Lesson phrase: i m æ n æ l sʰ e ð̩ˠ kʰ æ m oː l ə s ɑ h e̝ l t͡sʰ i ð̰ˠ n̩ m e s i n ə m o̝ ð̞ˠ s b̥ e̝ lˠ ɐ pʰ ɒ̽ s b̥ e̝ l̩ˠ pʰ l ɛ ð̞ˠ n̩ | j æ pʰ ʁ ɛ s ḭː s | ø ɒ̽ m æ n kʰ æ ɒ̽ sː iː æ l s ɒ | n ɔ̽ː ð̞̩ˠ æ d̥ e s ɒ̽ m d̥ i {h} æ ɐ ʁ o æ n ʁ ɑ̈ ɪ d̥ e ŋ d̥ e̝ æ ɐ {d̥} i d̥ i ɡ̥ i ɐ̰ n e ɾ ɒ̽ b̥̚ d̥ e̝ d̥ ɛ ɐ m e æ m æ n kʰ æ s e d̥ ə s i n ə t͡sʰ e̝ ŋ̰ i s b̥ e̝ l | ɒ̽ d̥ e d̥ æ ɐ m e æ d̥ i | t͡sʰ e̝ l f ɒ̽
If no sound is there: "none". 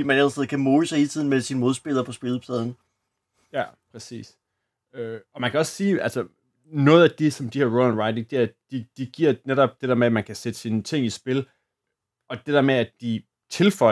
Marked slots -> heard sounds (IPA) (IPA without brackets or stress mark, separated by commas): h, d̥